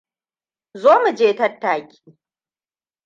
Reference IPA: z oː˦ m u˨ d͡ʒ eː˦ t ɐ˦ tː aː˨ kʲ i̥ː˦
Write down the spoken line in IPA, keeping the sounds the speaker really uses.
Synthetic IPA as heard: z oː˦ m u˨ d͡ʒ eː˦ t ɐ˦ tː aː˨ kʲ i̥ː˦